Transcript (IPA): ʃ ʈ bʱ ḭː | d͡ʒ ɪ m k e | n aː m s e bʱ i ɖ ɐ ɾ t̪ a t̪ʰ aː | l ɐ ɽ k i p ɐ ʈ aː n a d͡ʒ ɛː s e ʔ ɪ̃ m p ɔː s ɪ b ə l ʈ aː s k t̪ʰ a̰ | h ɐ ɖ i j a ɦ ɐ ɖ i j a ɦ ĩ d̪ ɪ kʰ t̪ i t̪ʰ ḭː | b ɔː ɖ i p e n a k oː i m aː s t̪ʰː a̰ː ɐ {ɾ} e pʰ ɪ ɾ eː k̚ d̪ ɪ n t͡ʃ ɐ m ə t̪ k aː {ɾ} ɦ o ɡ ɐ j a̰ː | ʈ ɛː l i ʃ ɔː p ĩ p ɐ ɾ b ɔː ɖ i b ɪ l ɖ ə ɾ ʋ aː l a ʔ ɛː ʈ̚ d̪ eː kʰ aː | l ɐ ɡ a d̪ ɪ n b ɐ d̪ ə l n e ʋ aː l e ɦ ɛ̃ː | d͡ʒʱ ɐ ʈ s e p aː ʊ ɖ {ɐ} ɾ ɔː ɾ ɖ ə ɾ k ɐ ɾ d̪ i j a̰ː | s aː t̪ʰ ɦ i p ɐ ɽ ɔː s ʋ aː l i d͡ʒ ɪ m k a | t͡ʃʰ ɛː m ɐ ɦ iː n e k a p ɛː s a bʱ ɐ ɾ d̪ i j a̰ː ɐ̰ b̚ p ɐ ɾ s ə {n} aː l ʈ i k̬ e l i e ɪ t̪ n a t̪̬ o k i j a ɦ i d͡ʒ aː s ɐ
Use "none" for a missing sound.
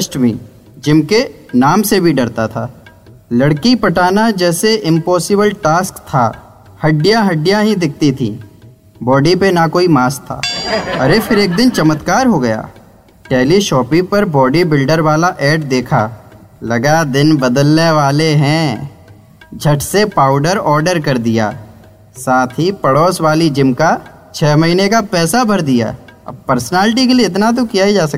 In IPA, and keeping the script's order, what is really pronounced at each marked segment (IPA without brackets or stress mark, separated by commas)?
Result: ɾ, ɾ, ə, n